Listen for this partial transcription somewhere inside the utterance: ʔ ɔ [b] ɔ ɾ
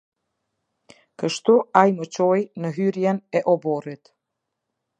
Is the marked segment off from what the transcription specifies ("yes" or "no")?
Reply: no